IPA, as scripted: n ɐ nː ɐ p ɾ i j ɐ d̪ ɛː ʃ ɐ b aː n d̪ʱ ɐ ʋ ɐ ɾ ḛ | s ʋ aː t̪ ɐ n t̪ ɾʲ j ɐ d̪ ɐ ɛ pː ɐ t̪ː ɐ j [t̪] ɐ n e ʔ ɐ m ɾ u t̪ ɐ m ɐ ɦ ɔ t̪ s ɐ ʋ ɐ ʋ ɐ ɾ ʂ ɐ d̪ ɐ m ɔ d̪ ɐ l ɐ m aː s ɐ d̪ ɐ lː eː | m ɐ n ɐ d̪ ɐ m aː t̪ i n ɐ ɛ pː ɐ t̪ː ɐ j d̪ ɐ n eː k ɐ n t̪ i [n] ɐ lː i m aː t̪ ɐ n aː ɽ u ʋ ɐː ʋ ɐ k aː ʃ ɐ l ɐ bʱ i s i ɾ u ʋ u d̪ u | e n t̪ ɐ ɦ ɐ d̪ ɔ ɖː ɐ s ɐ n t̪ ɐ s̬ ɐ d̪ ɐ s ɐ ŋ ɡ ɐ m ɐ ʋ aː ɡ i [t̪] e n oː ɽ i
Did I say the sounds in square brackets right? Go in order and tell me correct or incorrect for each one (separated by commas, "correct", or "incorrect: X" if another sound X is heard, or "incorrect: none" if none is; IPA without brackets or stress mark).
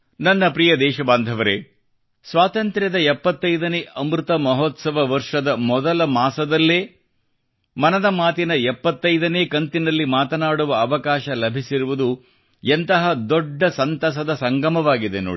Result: incorrect: d̪, correct, incorrect: d̪